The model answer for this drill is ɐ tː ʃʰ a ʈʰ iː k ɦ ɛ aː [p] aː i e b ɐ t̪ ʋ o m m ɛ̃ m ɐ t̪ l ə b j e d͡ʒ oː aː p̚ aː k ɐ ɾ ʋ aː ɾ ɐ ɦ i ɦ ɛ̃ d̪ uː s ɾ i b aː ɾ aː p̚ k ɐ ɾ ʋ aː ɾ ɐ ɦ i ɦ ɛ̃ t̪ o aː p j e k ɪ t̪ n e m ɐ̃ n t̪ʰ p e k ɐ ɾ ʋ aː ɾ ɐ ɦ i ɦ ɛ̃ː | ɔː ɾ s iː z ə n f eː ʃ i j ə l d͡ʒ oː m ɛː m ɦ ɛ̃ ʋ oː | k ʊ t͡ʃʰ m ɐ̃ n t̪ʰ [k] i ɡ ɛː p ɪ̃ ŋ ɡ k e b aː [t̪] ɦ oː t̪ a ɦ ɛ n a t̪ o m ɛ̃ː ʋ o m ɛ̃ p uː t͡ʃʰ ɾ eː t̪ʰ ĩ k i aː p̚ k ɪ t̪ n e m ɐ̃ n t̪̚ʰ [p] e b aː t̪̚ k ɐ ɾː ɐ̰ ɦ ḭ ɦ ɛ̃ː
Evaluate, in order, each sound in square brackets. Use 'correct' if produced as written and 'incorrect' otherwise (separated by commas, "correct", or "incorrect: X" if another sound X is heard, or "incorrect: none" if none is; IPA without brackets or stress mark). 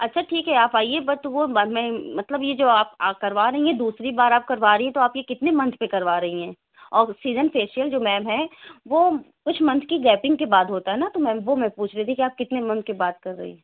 correct, correct, incorrect: d̪, incorrect: k